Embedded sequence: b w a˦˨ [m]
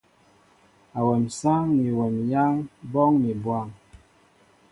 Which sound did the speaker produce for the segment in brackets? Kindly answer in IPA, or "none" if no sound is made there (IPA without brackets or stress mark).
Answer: ŋ